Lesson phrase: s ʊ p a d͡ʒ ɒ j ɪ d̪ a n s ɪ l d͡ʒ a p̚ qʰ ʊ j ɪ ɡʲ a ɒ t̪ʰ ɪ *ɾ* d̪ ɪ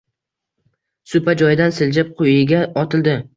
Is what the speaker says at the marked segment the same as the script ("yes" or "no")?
no